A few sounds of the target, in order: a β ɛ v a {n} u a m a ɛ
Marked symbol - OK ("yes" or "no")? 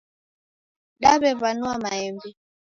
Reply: yes